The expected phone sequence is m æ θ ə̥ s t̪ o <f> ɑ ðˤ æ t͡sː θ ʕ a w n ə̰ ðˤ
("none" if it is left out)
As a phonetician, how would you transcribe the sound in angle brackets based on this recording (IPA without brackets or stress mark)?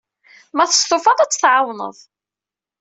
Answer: f